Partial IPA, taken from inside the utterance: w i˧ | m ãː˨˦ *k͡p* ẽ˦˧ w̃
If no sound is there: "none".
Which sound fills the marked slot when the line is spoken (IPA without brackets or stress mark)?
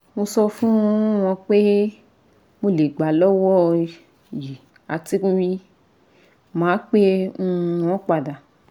k͡p